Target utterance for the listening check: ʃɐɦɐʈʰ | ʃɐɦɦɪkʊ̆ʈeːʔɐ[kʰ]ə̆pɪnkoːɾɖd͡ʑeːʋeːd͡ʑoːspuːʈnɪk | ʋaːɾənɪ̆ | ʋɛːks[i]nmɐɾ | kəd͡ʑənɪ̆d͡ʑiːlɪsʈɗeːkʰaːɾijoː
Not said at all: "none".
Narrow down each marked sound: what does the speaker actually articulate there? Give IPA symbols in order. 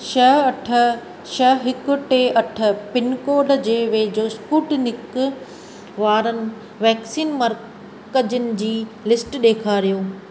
ʈʰ, iː

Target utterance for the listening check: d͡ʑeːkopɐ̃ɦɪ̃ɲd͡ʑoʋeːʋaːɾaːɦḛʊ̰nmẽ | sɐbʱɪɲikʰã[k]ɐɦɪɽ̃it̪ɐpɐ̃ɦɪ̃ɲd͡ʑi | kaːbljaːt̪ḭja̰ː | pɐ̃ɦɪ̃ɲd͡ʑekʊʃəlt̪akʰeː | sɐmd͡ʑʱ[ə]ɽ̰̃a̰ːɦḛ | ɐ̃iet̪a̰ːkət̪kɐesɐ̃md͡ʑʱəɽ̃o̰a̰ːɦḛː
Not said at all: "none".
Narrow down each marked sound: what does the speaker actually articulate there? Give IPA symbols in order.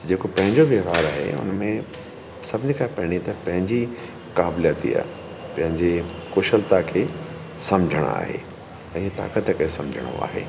p, ə

